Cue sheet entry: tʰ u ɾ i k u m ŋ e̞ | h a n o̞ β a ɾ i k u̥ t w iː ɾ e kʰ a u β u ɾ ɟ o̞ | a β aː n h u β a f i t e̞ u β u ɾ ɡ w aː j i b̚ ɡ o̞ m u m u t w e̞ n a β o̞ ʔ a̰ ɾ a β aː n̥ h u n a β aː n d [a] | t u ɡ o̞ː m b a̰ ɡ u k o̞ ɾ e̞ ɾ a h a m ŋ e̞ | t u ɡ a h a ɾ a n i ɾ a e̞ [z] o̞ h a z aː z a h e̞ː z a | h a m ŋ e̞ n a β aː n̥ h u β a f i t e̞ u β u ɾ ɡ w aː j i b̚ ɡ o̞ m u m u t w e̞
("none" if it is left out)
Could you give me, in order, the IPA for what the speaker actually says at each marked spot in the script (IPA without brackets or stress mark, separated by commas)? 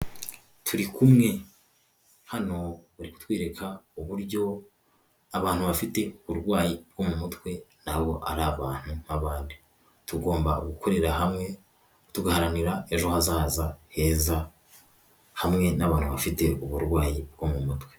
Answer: i, ʒ